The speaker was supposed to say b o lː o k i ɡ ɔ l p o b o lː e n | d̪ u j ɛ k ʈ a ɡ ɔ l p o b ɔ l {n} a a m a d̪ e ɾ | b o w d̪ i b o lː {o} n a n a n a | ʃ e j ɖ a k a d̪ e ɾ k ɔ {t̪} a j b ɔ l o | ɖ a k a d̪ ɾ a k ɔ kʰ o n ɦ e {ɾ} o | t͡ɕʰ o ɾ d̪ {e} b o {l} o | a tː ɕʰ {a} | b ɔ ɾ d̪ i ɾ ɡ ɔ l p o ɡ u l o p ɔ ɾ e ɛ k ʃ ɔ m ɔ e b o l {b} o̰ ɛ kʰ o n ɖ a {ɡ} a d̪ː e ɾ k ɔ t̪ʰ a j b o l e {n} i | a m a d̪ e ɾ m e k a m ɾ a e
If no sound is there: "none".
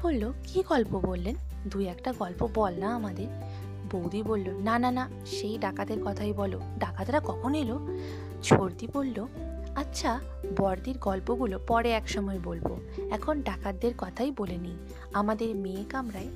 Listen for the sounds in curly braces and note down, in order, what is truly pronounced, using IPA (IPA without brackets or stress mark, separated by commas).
n, o, t̪ʰ, l, i, lː, a, b, k, n